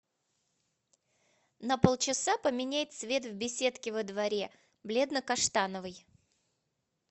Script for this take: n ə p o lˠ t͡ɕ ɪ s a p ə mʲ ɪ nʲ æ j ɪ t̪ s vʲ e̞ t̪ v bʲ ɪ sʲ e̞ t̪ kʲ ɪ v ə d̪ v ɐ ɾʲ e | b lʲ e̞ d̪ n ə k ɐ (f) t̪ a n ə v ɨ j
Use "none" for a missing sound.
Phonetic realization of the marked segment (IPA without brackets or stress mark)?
ʂ